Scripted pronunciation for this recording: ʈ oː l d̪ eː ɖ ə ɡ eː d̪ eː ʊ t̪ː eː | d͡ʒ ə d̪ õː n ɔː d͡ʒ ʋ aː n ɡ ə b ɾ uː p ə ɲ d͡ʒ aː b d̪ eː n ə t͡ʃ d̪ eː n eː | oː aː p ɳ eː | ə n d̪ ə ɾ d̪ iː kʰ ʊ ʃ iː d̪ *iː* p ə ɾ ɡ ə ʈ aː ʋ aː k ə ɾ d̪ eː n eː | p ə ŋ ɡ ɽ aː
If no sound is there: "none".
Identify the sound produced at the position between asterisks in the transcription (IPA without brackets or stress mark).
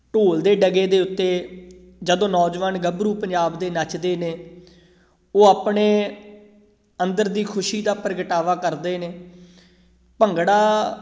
aː